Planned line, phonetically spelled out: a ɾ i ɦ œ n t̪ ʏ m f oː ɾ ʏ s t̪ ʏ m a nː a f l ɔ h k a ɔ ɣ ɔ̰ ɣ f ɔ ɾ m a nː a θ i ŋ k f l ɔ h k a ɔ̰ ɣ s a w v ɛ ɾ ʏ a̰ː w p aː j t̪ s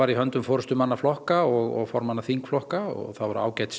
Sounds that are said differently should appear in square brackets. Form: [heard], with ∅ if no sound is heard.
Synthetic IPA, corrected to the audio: a ɾ i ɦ œ n t̪ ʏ m f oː ɾ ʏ s t̪ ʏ m a nː a f l ɔ h k a ɔ ɣ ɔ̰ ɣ f ɔ ɾ m a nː a θ i ŋ k f l ɔ h k a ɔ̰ ɣ [θ] a w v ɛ ɾ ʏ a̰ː w [c] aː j t̪ s

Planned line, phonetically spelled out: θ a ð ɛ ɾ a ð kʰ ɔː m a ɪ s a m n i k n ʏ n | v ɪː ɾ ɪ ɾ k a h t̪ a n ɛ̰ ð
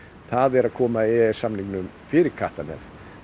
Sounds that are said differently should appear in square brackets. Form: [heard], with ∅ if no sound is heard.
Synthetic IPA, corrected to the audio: θ a ð ɛ ɾ a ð kʰ ɔː m a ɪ s a m n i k n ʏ [m] | [f] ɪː ɾ ɪ ɾ [kʰ] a h t̪ a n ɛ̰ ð

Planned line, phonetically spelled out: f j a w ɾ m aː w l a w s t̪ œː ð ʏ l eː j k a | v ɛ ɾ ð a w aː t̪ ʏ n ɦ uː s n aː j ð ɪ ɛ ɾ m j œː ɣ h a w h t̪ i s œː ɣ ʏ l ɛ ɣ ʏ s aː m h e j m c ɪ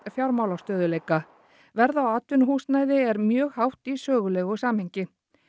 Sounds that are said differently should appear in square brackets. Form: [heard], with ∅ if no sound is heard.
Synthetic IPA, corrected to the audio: f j a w ɾ m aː w l a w s t̪ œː ð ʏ l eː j k a | v ɛ ɾ ð a w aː t̪ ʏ n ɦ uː s n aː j ð ɪ ɛ ɾ m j œː ɣ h a w h t̪ i s œː ɣ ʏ l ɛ ɣ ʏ s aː m h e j [ɲ] c ɪ

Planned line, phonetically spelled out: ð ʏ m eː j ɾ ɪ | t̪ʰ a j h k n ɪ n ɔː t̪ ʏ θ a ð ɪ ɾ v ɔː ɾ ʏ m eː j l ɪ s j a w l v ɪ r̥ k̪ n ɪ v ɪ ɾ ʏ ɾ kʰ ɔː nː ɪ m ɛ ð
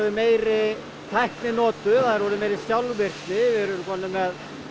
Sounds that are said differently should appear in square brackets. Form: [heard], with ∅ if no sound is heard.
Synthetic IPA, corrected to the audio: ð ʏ m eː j ɾ ɪ | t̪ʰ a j h k n ɪ n ɔː t̪ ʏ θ a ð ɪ ɾ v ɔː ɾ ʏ m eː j [ɾ] ɪ s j a w l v ɪ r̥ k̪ n ɪ v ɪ ɾ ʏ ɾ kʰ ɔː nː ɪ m ɛ ð

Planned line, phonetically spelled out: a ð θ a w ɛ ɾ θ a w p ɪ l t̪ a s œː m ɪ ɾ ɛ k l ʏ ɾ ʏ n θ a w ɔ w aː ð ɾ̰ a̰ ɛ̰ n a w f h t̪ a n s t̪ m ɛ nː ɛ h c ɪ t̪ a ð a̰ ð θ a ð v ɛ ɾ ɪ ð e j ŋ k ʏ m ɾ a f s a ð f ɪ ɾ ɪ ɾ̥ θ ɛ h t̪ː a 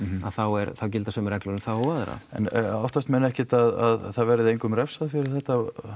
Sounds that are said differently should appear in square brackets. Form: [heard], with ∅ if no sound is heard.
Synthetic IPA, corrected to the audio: a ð θ a w ɛ ɾ θ a w [c] ɪ l t̪ a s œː m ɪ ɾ ɛ k l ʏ ɾ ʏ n θ a w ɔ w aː ð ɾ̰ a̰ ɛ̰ n a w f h t̪ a [∅] s t̪ m ɛ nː ɛ h c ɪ t̪ a ð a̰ ð θ a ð v ɛ ɾ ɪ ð e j ŋ k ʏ m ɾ [ɛ] f s a ð f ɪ ɾ ɪ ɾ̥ θ ɛ h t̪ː a

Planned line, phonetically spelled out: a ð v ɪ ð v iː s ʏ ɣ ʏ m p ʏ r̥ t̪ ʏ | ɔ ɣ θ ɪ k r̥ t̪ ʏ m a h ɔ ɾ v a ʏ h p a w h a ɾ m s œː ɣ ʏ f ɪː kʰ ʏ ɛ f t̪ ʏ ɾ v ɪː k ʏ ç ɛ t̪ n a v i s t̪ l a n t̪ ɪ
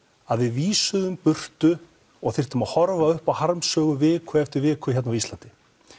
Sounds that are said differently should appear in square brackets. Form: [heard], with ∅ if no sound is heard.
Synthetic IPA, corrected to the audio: a ð v ɪ ð v iː s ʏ [ð] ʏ m p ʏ r̥ t̪ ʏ | ɔ ɣ θ ɪ [∅] r̥ t̪ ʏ m a h ɔ ɾ v a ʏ h p a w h a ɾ m s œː ɣ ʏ [v] ɪː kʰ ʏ ɛ f t̪ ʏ ɾ v ɪː k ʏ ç ɛ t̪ n a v i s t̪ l a n t̪ ɪ

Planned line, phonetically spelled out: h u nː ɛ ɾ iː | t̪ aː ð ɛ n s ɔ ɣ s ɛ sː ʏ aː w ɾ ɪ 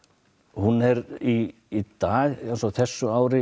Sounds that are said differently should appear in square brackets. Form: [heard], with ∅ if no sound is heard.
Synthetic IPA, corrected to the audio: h u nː ɛ ɾ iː | t̪ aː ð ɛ n s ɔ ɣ [θ] ɛ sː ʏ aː w ɾ ɪ

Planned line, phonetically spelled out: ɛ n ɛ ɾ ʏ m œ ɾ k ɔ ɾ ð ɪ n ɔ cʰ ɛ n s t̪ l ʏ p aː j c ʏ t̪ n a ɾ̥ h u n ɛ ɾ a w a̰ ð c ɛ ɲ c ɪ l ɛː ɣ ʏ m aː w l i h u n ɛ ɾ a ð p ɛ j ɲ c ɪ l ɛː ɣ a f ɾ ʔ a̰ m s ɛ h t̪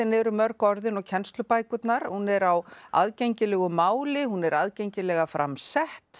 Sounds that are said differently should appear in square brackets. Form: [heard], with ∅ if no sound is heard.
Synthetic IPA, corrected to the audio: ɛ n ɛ ɾ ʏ m œ ɾ k ɔ ɾ ð ɪ n ɔ cʰ ɛ n s t̪ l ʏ p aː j [k] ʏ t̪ n a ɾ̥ h u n ɛ ɾ a w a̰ ð c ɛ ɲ c ɪ l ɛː ɣ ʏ m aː w l [ɪ] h u n ɛ ɾ a ð [c] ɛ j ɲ c ɪ l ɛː ɣ a f ɾ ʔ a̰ m s ɛ h t̪

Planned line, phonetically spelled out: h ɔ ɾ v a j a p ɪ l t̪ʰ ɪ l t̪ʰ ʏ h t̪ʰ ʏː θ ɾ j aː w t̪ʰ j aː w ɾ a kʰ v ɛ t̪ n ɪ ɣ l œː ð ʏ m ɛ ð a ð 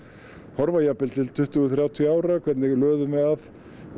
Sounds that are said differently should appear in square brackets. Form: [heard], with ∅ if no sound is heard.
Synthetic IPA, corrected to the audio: h ɔ ɾ v a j a p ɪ l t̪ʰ ɪ l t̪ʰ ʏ h [t̪] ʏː θ ɾ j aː w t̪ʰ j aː w ɾ a kʰ v ɛ t̪ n ɪ ɣ l œː ð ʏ m ɛ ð a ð

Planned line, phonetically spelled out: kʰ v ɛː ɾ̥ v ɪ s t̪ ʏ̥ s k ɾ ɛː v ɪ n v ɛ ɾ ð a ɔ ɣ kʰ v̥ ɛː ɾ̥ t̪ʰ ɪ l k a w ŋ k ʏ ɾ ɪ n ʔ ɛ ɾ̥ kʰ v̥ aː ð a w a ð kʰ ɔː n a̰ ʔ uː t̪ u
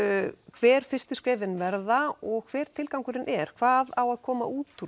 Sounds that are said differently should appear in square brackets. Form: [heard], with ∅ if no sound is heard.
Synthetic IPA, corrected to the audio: kʰ v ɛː ɾ̥ [f] ɪ s t̪ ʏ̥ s k ɾ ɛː v ɪ n v ɛ ɾ ð a ɔ ɣ kʰ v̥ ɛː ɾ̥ t̪ʰ ɪ l k a w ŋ k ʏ ɾ ɪ n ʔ ɛ ɾ̥ kʰ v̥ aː ð a w a ð kʰ ɔː [m] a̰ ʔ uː t̪ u

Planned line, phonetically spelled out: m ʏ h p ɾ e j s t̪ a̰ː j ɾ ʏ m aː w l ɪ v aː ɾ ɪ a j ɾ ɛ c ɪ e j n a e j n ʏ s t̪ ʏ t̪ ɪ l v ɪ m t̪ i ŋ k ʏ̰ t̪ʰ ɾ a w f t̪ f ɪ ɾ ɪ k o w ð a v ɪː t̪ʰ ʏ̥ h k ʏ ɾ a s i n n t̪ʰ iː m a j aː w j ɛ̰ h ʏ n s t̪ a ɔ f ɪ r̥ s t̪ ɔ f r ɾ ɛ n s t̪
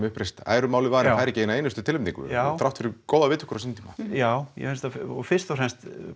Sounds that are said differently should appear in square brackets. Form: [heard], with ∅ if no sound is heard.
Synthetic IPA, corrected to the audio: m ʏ h p ɾ e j s t̪ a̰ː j ɾ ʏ m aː w l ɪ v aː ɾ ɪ a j ɾ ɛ c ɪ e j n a e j n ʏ s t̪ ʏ t̪ ɪ l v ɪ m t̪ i ŋ k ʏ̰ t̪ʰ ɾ a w f t̪ f ɪ ɾ ɪ k o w ð a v ɪː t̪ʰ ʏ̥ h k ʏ ɾ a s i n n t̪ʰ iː m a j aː w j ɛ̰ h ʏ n s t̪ a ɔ f ɪ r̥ s t̪ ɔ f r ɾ ɛ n s t̪

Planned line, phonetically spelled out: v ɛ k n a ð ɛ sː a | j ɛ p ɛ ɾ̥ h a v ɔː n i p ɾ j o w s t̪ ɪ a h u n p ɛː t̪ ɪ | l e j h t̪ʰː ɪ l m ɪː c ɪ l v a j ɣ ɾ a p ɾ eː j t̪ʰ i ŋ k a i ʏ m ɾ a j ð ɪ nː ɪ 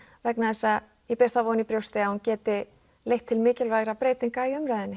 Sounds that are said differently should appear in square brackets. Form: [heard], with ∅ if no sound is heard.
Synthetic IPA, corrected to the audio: v ɛ k n a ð ɛ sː a | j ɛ p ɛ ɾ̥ [θ] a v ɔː n i p ɾ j o w s t̪ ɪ a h u n [c] ɛː t̪ ɪ | l e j h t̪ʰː ɪ l m ɪː c ɪ l v a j ɣ ɾ a p ɾ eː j [t̪] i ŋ k a i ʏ m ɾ a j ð ɪ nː ɪ

